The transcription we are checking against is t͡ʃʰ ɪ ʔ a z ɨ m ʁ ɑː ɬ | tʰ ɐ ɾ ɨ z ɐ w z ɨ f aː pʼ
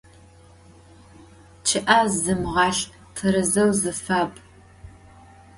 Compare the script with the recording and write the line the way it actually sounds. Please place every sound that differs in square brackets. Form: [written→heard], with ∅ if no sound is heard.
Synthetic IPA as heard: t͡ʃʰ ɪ ʔ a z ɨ m ʁ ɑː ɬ | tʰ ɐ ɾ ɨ z ɐ w z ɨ f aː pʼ